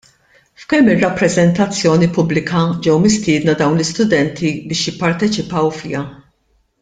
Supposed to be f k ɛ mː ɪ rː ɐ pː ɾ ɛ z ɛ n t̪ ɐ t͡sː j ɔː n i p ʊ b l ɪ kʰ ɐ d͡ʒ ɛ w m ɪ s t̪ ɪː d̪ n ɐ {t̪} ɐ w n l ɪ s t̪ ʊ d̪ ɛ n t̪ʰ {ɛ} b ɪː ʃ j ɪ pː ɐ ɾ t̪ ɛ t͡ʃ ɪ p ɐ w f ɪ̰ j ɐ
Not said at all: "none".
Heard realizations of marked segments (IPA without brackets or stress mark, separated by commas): d̪, i